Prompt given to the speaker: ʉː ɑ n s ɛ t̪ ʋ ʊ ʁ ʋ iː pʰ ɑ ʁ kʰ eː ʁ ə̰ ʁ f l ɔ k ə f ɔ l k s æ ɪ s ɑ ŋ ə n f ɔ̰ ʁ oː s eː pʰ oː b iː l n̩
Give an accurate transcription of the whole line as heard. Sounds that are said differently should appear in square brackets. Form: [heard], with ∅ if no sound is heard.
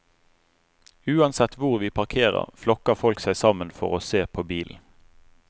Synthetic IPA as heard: ʉː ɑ n s ɛ t̪ ʋ ʊ ʁ ʋ iː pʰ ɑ ʁ kʰ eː ʁ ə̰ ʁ f l ɔ k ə f ɔ l k s æ ɪ s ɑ [m] ə n f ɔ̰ ʁ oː s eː pʰ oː b iː l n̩

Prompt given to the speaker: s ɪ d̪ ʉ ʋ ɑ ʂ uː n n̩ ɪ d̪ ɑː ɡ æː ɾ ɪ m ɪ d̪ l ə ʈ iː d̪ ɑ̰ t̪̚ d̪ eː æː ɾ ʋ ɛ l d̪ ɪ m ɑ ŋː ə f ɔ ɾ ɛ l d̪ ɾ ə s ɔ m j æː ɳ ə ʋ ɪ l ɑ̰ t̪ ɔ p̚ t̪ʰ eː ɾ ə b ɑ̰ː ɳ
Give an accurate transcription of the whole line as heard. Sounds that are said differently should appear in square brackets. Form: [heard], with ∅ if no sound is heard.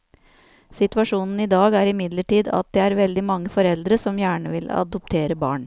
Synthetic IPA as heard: s ɪ [t̪] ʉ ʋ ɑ ʂ uː n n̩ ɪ d̪ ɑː ɡ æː ɾ ɪ m ɪ d̪ l ə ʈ iː d̪ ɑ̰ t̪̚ d̪ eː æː ɾ ʋ ɛ l d̪ ɪ m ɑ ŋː ə f ɔ ɾ ɛ l d̪ ɾ ə s ɔ m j æː ɳ ə ʋ ɪ l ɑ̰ [d̪] ɔ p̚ t̪ʰ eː ɾ ə b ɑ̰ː ɳ

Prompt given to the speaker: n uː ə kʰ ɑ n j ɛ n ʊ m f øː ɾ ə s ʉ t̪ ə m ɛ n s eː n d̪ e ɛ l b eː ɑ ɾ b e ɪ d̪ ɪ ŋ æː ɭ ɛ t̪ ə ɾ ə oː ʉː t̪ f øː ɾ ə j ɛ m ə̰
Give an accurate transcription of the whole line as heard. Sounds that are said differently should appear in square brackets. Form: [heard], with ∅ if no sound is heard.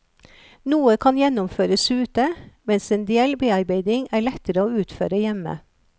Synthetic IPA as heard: n uː ə kʰ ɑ n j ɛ n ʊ m f øː ɾ ə s [ʉː] t̪ ə m ɛ n s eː n d̪ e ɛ l b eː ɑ ɾ b e ɪ d̪ ɪ ŋ æː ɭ ɛ t̪ ə ɾ ə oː ʉː t̪ f øː ɾ ə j ɛ m ə̰

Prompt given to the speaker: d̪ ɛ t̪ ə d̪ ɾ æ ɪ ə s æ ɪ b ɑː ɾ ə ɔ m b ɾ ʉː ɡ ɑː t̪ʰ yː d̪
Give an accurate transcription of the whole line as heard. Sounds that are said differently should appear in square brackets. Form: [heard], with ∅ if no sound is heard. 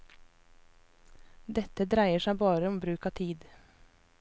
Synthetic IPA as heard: d̪ ɛ t̪ ə d̪ ɾ æ ɪ ə [ʃ] æ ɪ b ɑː ɾ ə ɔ m b ɾ ʉː [k] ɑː t̪ʰ [iː] d̪

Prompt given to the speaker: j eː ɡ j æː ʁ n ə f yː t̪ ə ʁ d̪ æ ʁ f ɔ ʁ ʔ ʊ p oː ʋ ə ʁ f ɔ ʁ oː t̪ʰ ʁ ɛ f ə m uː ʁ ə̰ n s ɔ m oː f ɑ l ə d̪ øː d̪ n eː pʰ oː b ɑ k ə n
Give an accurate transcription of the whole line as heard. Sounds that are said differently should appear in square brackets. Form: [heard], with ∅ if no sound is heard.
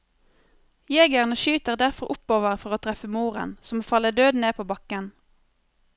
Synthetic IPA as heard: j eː ɡ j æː ʁ n ə [ʃ] yː t̪ ə ʁ d̪ æ ʁ f ɔ ʁ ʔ ʊ p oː ʋ ə ʁ f ɔ ʁ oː t̪ʰ ʁ ɛ f ə m uː ʁ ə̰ n s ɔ m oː f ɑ l ə d̪ øː d̪ n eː pʰ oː b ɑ k ə n

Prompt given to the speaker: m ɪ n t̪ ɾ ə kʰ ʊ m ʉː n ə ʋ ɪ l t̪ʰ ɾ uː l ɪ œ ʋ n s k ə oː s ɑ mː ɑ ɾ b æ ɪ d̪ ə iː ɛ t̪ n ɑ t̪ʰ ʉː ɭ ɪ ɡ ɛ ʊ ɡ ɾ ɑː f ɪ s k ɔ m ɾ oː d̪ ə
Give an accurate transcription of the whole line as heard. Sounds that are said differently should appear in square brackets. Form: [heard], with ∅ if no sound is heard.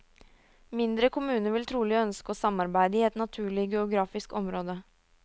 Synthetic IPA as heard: m ɪ n [d̪] ɾ ə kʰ ʊ m ʉː n ə ʋ ɪ l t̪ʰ ɾ uː l ɪ œ [∅] n s k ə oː s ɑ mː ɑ ɾ b æ ɪ d̪ ə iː ɛ t̪ n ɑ t̪ʰ ʉː ɭ ɪ ɡ ɛ ʊ ɡ ɾ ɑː f ɪ s k ɔ m ɾ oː d̪ ə

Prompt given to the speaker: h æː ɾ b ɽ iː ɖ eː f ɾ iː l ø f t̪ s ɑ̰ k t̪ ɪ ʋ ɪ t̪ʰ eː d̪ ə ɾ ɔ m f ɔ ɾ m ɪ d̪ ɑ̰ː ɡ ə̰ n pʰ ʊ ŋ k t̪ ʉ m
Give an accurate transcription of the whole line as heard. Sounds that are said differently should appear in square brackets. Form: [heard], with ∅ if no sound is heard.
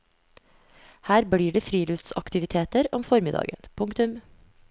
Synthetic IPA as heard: h æː ɾ b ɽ iː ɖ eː f ɾ iː l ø f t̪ s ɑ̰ k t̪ ɪ ʋ ɪ t̪ʰ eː [t̪] ə ɾ ɔ m f ɔ ɾ m ɪ d̪ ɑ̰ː ɡ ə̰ n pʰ ʊ ŋ k t̪ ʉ m

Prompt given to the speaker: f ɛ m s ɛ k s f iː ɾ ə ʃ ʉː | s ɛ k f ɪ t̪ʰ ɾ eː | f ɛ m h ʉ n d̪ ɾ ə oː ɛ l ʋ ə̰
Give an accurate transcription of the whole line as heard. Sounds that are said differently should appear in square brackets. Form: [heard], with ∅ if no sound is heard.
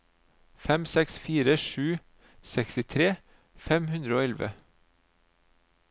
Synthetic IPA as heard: f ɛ m s ɛ k s f iː ɾ ə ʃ ʉː | s ɛ k [s] ɪ t̪ʰ ɾ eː | f ɛ m h ʉ n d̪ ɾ ə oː ɛ l ʋ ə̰

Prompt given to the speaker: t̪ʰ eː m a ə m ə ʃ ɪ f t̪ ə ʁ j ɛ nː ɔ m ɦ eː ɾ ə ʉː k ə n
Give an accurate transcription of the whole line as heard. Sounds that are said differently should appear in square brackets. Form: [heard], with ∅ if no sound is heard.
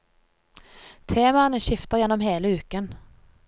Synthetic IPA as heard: t̪ʰ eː m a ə [n] ə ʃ ɪ f t̪ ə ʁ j ɛ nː ɔ m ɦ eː [l] ə ʉː k ə n

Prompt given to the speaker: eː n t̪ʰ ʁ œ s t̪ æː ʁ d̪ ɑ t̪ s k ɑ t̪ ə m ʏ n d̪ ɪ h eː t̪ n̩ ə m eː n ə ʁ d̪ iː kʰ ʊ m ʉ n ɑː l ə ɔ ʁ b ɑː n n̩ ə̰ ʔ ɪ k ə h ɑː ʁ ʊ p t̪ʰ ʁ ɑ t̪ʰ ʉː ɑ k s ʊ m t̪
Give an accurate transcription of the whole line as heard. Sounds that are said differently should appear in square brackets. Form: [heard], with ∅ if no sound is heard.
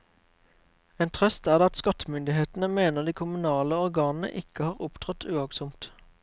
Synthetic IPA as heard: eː n t̪ʰ ʁ œ s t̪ æː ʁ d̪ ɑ t̪ s k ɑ t̪ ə m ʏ n d̪ ɪ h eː t̪ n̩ ə m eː n ə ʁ d̪ iː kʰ ʊ m ʉ n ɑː l ə ɔ ʁ [ɡ] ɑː n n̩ ə̰ ʔ ɪ k ə h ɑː ʁ ʊ p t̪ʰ ʁ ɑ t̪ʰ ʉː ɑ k s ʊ m t̪

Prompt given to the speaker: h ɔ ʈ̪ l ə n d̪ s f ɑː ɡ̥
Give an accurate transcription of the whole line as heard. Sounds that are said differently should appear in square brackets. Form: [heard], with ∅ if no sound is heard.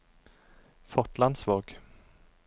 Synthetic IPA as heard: [f] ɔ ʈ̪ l [a] n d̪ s [v] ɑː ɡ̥

